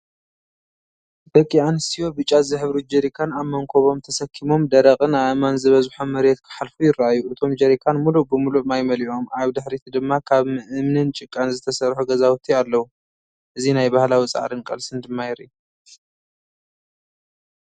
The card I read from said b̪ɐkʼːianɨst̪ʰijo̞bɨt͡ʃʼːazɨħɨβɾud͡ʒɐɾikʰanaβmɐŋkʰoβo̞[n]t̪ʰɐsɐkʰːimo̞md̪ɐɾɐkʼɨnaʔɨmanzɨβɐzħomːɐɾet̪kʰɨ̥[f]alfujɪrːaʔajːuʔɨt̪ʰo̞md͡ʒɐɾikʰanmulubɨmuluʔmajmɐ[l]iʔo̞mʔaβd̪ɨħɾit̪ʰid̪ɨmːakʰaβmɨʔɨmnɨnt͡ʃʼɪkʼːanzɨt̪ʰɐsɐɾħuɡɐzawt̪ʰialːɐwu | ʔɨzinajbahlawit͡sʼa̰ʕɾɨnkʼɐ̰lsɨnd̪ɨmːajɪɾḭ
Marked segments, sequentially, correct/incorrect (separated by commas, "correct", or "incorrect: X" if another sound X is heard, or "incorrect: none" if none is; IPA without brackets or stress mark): incorrect: m, incorrect: ħ, correct